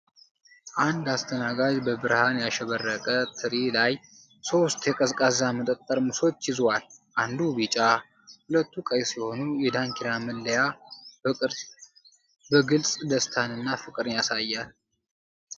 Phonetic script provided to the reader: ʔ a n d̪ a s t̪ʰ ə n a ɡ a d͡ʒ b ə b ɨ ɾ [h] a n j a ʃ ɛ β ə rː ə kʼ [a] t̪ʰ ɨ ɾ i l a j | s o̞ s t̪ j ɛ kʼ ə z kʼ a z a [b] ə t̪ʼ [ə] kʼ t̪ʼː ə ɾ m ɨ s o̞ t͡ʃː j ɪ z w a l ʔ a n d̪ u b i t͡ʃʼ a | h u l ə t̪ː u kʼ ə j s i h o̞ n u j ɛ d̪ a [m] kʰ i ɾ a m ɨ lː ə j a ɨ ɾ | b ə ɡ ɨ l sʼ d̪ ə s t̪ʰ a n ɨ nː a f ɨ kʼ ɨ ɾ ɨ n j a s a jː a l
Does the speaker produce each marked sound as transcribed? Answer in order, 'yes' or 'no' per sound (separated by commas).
yes, no, no, yes, no